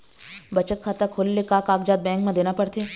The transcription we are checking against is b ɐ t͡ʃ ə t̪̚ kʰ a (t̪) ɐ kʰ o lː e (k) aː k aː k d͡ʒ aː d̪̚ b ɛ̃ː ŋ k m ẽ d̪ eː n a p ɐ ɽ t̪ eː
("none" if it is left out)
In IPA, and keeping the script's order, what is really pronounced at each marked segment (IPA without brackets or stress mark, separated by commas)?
t̪, k